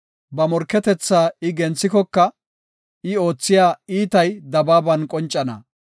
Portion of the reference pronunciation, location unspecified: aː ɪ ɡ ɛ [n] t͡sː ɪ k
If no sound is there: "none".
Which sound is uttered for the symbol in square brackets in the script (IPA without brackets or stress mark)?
n